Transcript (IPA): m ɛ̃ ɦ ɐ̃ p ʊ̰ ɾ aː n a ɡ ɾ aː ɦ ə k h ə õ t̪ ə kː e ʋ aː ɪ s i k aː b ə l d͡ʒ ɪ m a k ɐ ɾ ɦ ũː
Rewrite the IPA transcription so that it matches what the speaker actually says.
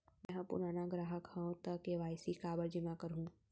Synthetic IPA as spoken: m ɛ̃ ɦ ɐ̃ p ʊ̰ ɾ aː n a ɡ ɾ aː ɦ ə k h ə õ t̪ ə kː e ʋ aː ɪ s i k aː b ə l d͡ʒ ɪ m a k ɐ ɾ ɦ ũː